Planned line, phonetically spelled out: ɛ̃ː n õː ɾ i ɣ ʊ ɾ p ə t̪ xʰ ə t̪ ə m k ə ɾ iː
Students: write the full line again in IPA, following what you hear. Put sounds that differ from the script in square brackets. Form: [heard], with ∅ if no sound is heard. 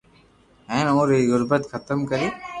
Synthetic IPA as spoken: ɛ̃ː n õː ɾ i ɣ ʊ ɾ [b] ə t̪ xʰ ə t̪ ə m k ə ɾ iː